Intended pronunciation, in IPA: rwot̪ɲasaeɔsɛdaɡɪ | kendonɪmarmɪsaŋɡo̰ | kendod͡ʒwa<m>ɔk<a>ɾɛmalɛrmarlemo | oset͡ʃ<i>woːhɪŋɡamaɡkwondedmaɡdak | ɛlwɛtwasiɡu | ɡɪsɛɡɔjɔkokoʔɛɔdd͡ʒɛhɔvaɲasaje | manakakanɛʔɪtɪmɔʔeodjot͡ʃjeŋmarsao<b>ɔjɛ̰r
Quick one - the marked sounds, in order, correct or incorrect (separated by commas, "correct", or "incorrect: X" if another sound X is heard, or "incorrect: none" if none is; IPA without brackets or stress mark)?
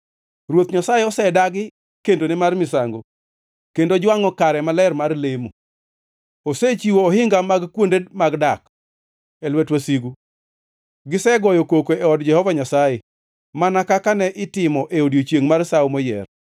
incorrect: ŋ, correct, correct, incorrect: m